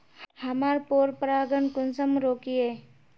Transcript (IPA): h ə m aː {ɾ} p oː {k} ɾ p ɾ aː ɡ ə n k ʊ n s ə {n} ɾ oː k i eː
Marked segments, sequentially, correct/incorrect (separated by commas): correct, incorrect, incorrect